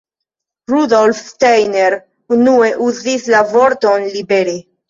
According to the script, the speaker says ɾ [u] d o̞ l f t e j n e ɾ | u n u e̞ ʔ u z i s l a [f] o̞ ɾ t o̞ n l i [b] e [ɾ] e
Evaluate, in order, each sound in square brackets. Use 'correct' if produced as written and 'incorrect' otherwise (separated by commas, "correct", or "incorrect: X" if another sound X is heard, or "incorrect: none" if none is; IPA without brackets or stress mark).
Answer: correct, incorrect: v, correct, correct